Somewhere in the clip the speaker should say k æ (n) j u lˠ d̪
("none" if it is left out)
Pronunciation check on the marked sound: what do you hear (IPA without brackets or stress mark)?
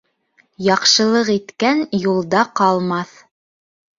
n